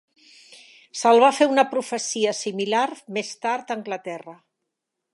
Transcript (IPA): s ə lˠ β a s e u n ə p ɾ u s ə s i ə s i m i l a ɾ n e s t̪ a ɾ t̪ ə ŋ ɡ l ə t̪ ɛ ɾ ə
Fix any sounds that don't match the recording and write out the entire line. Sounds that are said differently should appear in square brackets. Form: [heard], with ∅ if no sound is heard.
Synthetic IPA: s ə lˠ β a [f] e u n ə p ɾ u [f] ə s i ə s i m i l a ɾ [m] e s t̪ a ɾ t̪ ə ŋ ɡ l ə t̪ ɛ [r] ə